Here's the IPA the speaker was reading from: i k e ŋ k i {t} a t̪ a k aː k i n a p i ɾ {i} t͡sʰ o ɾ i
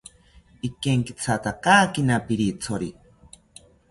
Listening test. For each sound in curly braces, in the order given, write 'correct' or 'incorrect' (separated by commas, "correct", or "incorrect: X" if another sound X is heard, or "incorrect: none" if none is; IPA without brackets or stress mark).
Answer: incorrect: t͡sʰ, correct